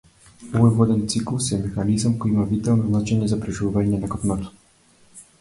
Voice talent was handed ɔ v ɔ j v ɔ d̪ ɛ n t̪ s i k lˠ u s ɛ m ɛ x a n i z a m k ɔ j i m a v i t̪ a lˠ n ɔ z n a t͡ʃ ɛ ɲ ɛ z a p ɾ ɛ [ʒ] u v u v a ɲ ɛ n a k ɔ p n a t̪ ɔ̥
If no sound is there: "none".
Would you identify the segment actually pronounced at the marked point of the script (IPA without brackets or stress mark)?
ʒ